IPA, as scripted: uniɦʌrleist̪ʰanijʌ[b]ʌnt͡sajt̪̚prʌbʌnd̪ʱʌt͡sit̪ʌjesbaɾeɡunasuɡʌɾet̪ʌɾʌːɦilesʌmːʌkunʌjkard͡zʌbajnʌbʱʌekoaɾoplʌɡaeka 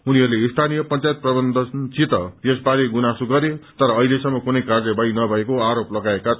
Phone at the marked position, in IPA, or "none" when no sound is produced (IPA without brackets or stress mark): p